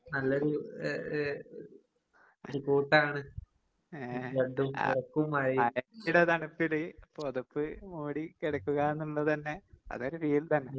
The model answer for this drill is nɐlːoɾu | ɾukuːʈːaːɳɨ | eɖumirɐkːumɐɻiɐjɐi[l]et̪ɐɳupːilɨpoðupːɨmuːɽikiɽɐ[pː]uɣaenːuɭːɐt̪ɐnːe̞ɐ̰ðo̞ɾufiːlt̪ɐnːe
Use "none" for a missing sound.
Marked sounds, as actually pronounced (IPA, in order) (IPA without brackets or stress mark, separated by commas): ɽ, kː